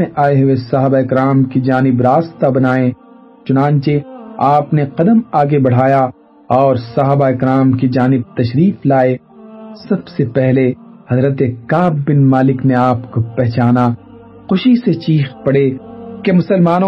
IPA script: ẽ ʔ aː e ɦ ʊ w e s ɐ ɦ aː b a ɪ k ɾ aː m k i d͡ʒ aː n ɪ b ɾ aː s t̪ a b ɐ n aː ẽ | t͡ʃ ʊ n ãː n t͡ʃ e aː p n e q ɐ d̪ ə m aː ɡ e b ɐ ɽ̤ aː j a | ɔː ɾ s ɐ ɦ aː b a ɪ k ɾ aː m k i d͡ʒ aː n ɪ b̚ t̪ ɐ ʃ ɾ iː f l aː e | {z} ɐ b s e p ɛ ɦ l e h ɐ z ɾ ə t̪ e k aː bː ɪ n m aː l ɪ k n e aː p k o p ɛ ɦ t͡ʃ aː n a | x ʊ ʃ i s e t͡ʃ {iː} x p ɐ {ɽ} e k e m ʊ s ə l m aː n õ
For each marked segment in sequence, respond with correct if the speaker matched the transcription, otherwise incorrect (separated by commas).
incorrect, correct, correct